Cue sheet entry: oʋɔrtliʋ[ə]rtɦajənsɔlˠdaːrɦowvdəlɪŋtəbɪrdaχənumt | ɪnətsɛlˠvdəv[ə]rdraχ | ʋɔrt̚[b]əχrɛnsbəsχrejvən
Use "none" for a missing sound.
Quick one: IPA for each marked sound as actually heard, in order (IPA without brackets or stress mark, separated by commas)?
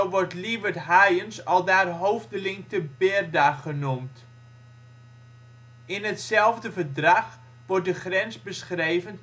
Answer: ə, ə, d